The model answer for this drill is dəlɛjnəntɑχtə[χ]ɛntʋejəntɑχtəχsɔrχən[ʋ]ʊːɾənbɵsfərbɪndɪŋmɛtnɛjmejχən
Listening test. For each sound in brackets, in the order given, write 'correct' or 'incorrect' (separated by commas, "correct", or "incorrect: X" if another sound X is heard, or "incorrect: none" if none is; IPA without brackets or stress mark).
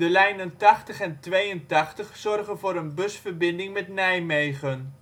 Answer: correct, incorrect: v